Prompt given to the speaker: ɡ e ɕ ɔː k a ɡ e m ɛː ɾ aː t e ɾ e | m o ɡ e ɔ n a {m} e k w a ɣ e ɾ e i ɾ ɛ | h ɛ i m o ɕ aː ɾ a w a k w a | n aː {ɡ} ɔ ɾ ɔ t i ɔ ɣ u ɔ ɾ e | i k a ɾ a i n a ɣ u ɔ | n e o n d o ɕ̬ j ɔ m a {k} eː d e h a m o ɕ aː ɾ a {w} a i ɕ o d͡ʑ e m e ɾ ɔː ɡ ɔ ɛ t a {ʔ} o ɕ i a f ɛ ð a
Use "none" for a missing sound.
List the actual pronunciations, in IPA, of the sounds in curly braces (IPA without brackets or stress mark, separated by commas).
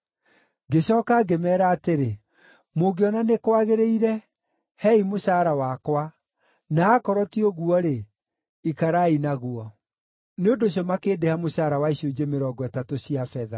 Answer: n, k, k, w, t